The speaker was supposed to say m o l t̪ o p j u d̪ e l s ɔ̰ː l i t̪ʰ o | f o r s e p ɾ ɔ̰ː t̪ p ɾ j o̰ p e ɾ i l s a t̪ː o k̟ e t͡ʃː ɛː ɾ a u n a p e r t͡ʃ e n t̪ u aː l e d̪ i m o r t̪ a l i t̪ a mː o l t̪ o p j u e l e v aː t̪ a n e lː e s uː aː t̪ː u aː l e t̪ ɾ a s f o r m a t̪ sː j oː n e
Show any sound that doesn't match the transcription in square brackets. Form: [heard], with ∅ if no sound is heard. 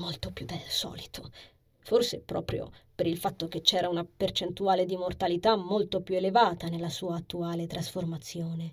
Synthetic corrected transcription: m o l t̪ o p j u d̪ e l s ɔ̰ː l i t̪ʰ o | f o r s e p ɾ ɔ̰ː [∅] p ɾ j o̰ p e ɾ i l [f] a t̪ː o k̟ e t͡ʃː ɛː ɾ a u n a p e r t͡ʃ e n t̪ u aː l e d̪ i m o r t̪ a l i t̪ a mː o l t̪ o p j u e l e v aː t̪ a n e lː [a] s uː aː t̪ː u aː l e t̪ ɾ a s f o r m a t̪ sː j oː n e